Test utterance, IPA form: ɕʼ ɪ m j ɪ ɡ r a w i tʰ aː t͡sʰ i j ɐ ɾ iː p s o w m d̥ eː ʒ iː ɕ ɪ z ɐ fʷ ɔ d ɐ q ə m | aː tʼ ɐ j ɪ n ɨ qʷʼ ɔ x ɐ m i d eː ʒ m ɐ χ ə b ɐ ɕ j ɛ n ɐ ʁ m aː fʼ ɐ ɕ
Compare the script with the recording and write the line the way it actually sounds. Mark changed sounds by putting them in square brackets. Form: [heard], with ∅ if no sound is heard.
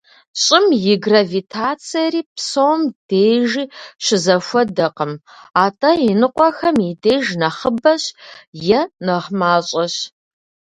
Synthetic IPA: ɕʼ ɪ m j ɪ ɡ r a [v] i tʰ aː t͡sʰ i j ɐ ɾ iː p s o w m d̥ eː ʒ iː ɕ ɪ z ɐ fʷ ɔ d ɐ q ə m | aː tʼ ɐ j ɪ n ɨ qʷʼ ɔ x ɐ m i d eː ʒ [n] ɐ χ ə b ɐ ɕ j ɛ n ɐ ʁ m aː [ɕʼ] ɐ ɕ